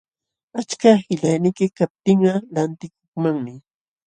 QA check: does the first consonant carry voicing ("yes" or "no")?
no